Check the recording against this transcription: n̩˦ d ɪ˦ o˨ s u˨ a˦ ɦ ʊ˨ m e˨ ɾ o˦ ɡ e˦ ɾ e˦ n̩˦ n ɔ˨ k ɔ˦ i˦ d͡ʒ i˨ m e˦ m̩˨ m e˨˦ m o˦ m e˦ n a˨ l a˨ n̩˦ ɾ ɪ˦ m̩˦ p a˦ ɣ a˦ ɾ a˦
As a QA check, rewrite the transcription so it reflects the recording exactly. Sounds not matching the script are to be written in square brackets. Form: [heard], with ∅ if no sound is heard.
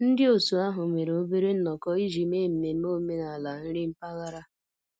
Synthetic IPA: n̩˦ d ɪ˦ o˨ s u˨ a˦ ɦ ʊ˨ m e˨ ɾ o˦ [b] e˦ ɾ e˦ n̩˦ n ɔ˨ k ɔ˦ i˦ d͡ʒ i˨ m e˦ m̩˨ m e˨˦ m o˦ m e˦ n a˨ l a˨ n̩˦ ɾ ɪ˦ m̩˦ p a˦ ɣ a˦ ɾ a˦